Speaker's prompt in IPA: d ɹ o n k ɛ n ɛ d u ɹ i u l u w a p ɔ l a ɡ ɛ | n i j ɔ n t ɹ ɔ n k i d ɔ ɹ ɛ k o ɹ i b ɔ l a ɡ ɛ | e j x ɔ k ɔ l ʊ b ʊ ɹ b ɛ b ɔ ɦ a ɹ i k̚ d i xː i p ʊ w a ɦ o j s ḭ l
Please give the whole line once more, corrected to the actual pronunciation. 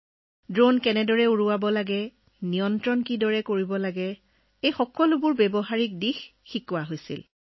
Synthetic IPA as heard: d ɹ o n k ɛ n ɛ d ɔ ɹ ɛ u ɹ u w a b ɔ l a ɡ ɛ | n i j ɔ n t ɹ ɔ n k i d ɔ ɹ ɛ k o ɹ i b ɔ l a ɡ ɛ | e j x ɔ k ɔ l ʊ b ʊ ɹ b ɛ b ɔ ɦ a ɹ i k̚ d i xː i k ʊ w a ɦ o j s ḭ l